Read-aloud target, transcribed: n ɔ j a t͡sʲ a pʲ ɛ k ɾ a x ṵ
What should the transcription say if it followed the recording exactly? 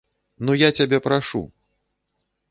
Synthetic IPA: n u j a t͡sʲ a bʲ ɛ p ɾ a ʂ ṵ